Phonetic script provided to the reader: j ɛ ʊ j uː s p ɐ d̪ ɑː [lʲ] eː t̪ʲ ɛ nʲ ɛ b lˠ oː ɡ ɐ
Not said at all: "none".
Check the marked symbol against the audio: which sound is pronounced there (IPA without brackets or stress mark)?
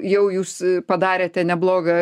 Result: ɾʲ